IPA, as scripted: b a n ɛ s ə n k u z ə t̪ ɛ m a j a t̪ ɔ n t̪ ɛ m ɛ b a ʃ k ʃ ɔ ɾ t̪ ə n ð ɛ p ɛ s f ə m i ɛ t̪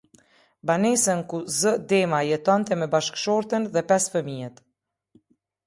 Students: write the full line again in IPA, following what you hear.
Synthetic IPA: b a n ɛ s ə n k u z ə d̪ ɛ m a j ɛ t̪ ɔ n t̪ ɛ m ɛ b a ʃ k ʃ ɔ ɾ t̪ ə n ð ɛ p ɛ s f ə m i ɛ t̪